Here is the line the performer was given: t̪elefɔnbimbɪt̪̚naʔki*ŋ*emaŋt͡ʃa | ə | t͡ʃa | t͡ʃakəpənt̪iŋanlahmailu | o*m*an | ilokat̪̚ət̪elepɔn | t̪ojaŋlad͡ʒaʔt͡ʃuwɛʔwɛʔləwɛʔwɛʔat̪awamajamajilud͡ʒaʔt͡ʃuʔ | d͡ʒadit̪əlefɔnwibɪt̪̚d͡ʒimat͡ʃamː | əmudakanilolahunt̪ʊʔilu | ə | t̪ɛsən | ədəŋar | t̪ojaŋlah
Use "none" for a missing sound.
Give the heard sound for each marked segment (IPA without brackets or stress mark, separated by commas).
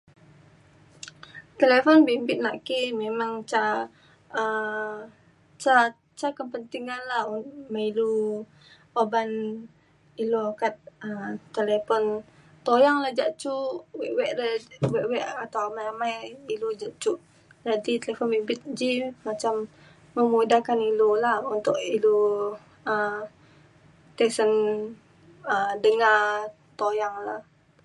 m, b